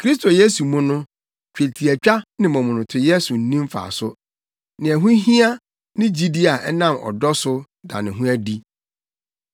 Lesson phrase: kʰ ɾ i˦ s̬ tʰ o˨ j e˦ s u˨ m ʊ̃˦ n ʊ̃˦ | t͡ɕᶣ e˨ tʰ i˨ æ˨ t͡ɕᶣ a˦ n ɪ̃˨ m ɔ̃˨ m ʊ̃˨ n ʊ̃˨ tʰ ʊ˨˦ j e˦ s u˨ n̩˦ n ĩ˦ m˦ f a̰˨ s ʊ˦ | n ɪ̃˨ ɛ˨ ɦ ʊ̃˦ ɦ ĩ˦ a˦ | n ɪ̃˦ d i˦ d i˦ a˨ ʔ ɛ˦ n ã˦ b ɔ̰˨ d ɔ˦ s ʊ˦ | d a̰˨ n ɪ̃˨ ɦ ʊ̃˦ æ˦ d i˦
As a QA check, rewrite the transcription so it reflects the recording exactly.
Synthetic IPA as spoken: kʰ ɾ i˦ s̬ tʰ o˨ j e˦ s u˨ m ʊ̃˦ n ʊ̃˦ | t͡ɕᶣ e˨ tʰ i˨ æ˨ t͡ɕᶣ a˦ n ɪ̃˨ m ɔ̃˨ m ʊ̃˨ n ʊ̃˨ tʰ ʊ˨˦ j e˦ s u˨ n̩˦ n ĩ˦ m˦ f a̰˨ s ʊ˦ | n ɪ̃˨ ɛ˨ ɦ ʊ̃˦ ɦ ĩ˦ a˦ | n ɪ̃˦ d͡ʑ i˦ d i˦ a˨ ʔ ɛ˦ n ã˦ m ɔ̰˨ d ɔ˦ s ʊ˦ | d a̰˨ n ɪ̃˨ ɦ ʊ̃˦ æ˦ d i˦